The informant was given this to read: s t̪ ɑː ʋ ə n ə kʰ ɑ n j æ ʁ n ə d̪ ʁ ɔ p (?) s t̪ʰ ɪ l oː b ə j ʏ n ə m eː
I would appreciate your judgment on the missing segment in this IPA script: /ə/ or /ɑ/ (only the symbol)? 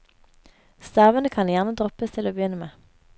ə